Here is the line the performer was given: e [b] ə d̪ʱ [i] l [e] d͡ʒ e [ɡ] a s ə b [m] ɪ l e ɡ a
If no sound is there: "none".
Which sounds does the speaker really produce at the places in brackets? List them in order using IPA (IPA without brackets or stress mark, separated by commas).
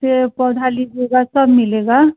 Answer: p, a, i, ɡ, m